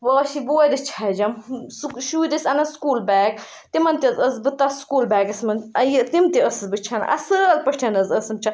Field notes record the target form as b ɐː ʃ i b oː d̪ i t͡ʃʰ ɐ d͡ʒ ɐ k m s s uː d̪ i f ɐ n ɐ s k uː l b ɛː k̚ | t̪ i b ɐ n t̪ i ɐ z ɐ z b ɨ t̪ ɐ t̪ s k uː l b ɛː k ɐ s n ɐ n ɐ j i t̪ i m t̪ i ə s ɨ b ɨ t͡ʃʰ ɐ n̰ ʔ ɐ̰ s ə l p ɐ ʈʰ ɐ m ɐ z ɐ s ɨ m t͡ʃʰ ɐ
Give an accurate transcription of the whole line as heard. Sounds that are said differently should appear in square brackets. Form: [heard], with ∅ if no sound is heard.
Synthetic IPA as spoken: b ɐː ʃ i b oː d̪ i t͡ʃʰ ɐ d͡ʒ ɐ [∅] m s [ʃ] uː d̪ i [s] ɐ n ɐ s k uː l b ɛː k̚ | t̪ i [m] ɐ n t̪ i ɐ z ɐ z b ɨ t̪ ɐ [∅] s k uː l b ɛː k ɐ s [m] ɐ n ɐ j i t̪ i m t̪ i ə s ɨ b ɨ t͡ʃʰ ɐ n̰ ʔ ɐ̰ s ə l p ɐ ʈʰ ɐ [n] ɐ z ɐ s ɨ m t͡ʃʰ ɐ